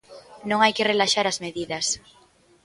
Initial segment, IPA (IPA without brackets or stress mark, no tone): n